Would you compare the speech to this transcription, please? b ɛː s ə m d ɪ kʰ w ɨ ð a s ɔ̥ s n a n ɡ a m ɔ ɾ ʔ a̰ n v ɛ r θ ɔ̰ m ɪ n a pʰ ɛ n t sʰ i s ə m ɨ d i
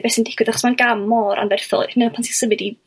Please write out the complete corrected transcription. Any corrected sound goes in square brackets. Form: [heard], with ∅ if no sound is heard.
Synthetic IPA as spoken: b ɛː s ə [n] d ɪ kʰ w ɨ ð a [χ] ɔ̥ s [m] a n ɡ a m ɔ ɾ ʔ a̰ n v ɛ r θ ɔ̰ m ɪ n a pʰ [a] n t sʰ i s ə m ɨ d i

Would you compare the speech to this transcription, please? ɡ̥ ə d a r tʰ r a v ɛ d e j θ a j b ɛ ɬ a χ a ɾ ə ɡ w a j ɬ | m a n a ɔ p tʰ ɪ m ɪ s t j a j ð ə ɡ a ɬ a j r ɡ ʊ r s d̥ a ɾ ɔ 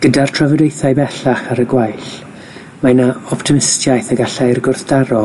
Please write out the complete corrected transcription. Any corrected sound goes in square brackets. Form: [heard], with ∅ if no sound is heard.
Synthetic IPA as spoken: ɡ̥ ə d a r tʰ r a v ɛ d e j θ a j b ɛ ɬ a χ a ɾ ə ɡ w a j ɬ | m a n a ɔ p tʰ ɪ m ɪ s t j a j [θ] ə ɡ a ɬ a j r ɡ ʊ r [θ] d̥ a ɾ ɔ

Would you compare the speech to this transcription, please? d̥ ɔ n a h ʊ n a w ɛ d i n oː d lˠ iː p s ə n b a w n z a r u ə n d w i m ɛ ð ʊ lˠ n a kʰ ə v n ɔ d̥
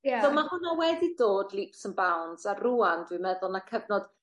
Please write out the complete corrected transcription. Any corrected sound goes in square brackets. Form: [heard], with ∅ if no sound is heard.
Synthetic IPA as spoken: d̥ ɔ [m] a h ʊ n a w ɛ d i [d] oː d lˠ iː p s ə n b a w n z a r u [a] n d w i m ɛ ð ʊ lˠ n a kʰ ə v n ɔ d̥

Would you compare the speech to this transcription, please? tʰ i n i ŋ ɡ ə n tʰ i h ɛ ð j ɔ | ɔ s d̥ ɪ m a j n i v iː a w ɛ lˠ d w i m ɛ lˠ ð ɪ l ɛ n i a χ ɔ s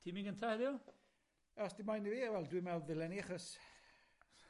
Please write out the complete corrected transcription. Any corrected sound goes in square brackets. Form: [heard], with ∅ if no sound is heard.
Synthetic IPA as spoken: tʰ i [m] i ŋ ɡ ə n tʰ [a] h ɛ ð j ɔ | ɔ s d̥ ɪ m a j n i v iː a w ɛ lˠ d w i m ɛ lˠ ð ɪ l ɛ n i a χ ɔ s

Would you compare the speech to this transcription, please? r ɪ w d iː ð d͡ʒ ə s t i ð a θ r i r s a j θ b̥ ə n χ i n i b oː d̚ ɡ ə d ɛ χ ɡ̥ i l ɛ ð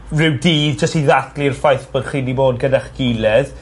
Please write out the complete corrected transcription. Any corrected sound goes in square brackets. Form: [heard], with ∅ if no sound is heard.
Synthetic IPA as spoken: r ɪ w d iː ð d͡ʒ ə s t i ð a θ [l] i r [f] a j θ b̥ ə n χ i n i b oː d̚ ɡ ə d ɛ χ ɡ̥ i l ɛ ð

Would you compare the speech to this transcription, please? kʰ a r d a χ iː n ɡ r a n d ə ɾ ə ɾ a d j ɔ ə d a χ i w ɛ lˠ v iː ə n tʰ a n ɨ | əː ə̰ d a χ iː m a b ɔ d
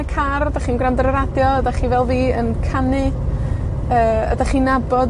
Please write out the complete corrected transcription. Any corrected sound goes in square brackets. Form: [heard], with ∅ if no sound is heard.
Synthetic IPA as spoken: kʰ a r d a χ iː n ɡ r a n d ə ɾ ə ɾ a d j ɔ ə d a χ i [v] ɛ lˠ v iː ə n [kʰ] a n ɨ | əː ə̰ d a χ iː [n] a b ɔ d

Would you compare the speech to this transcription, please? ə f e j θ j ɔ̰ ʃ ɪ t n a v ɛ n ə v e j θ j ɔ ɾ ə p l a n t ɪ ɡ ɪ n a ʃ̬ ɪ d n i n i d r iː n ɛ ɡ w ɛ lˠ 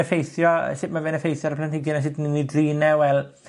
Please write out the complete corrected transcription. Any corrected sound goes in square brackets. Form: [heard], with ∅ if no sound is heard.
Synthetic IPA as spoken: ə f e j θ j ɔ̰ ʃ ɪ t [m] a v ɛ n ə [f] e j θ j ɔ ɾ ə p l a n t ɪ ɡ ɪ n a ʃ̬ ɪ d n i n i d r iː n ɛ [∅] w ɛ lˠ

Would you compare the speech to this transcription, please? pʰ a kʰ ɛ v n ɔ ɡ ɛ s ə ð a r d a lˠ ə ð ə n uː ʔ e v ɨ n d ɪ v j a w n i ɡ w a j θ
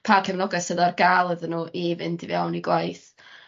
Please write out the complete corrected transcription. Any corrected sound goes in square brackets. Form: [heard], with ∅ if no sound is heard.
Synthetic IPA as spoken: pʰ a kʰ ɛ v n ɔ ɡ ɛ s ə ð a r [ɡ] a lˠ ə ð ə n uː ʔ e v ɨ n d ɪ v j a w n i ɡ w a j θ

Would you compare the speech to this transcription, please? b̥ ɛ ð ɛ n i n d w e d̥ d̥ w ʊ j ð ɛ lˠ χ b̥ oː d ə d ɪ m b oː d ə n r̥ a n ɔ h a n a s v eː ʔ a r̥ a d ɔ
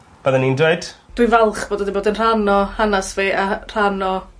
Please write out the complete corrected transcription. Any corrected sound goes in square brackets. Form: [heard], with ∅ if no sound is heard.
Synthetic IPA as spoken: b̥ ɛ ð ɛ n i n d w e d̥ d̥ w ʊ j [v] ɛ lˠ χ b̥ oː d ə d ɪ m b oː d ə n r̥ a n ɔ h a n a s v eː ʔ a r̥ a [n] ɔ

